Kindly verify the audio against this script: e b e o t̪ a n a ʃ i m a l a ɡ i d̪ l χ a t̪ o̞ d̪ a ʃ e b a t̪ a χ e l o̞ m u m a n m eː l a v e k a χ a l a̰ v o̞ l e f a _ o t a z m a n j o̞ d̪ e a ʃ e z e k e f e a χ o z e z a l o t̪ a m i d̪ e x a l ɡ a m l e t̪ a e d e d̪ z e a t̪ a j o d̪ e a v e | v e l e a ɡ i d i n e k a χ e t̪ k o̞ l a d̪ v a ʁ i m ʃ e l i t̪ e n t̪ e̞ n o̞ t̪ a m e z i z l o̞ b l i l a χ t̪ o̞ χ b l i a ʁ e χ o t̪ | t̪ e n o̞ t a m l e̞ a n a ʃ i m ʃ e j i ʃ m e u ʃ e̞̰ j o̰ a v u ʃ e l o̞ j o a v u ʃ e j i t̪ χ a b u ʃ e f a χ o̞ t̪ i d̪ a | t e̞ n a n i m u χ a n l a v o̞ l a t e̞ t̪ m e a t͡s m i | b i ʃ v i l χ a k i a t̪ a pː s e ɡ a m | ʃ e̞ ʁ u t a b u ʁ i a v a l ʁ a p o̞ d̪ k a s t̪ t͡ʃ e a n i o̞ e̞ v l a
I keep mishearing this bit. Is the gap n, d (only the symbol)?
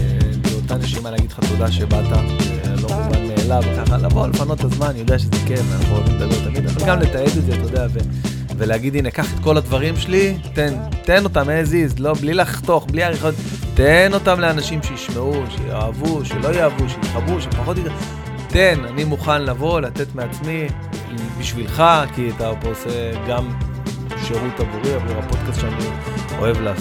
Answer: n